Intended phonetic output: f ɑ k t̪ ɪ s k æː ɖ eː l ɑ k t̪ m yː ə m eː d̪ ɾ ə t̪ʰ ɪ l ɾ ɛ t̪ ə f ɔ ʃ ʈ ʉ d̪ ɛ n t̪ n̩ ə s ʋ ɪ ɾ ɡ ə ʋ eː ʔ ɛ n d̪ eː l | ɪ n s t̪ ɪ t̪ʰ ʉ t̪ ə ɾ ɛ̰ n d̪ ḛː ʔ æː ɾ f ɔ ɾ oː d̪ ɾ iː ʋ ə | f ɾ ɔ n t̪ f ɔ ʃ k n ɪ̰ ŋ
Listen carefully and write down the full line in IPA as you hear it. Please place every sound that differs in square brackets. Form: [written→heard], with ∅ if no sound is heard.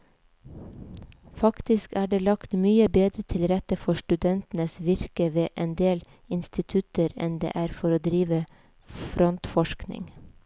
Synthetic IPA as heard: f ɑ k t̪ ɪ s k æː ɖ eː l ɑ k t̪ m yː ə [m→b] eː d̪ ɾ ə t̪ʰ ɪ l ɾ ɛ t̪ ə f ɔ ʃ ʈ ʉ d̪ ɛ n t̪ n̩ ə s ʋ ɪ ɾ [ɡ→k] ə ʋ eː ʔ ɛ n d̪ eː l | ɪ n s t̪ ɪ t̪ʰ ʉ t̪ ə ɾ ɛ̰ n d̪ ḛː ʔ æː ɾ f ɔ ɾ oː d̪ ɾ iː ʋ ə | f ɾ ɔ n t̪ f ɔ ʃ k n ɪ̰ ŋ

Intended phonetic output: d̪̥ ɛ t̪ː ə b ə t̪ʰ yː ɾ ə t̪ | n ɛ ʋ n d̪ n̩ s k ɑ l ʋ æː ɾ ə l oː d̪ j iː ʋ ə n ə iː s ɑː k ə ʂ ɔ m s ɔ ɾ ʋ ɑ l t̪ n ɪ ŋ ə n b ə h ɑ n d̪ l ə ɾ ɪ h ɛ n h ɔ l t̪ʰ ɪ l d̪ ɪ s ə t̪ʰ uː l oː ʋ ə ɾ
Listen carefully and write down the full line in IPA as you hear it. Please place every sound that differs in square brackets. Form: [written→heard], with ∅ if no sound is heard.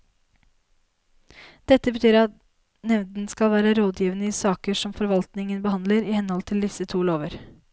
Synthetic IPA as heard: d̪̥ ɛ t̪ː ə b ə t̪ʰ yː ɾ [ə→ɑ] t̪ | n ɛ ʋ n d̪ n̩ s k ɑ l ʋ æː ɾ ə [l→ɾ] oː d̪ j iː ʋ ə n ə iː s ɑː k ə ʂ ɔ m [s→f] ɔ ɾ ʋ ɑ l t̪ n ɪ ŋ ə n b ə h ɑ n d̪ l ə ɾ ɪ h ɛ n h ɔ l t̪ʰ ɪ l d̪ ɪ s ə t̪ʰ uː l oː ʋ ə ɾ

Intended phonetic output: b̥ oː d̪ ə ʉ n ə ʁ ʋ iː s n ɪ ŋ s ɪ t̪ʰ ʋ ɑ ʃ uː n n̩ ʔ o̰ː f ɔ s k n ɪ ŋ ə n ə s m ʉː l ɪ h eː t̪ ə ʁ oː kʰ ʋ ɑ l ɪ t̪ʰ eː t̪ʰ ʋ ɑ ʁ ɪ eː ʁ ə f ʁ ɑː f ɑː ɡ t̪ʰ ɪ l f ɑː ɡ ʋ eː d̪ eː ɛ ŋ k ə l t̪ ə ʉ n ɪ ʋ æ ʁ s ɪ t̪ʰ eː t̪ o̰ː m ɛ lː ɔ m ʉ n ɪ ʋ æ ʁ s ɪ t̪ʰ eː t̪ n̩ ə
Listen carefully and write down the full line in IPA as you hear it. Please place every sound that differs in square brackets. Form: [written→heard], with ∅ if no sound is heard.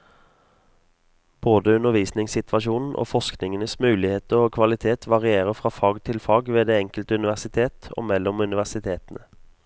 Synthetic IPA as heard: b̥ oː d̪ ə ʉ n ə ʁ ʋ iː s n ɪ ŋ s ɪ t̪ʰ ʋ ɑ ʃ uː n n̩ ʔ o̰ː f ɔ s k n ɪ ŋ ə n ə s m ʉː l ɪ h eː t̪ ə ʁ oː kʰ ʋ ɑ l ɪ t̪ʰ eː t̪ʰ ʋ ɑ ʁ ɪ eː ʁ ə f ʁ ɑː f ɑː ɡ t̪ʰ ɪ l f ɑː ɡ ʋ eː d̪ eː ɛ ŋ k ə l t̪ ə ʉ n ɪ ʋ æ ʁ s ɪ t̪ʰ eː t̪ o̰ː m ɛ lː ɔ m ʉ n ɪ ʋ æ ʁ s ɪ t̪ʰ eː t̪ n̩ ə

